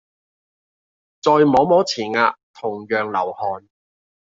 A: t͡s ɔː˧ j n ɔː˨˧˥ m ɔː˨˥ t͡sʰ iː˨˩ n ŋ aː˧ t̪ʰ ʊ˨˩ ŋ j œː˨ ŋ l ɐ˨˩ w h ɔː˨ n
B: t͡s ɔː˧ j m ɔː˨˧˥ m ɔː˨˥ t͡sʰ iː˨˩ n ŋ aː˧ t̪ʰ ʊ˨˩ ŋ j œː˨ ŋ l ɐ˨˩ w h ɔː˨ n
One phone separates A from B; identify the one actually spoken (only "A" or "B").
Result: B